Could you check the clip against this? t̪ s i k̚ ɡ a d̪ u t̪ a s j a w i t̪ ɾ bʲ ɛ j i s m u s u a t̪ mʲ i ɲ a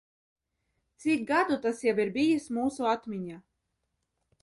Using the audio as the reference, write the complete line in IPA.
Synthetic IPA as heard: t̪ s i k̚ ɡ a d̪ u t̪ a s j a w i ɾ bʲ i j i s m uː s u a t̪ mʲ i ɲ a